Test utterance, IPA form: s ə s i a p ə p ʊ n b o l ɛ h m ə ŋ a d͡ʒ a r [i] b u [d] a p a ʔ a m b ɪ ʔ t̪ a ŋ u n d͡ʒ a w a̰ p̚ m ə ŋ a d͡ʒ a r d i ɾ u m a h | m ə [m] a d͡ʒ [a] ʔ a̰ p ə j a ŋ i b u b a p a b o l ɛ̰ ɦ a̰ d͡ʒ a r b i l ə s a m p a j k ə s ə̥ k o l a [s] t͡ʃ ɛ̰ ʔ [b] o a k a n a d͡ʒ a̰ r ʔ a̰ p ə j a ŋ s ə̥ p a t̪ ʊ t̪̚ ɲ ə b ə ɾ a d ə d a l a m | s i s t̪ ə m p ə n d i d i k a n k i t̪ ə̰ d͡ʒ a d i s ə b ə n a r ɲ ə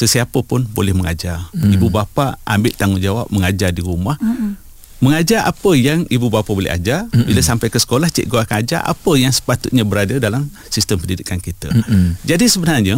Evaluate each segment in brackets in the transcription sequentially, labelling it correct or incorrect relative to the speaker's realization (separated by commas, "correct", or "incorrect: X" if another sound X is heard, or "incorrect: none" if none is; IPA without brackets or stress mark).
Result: correct, incorrect: b, incorrect: ŋ, correct, incorrect: h, incorrect: ɡ